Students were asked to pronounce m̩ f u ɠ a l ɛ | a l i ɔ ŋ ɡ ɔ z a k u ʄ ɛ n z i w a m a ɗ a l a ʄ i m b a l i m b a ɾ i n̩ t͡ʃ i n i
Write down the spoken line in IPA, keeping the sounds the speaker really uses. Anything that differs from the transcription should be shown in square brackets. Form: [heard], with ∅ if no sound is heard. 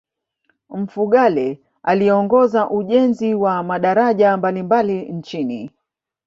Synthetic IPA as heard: m̩ f u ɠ a l ɛ | a l i ɔ ŋ ɡ ɔ z a [ʔ] u ʄ ɛ n z i w a m a ɗ a [ɾ] a ʄ [a] m b a l i m b a [l] i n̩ t͡ʃ i n i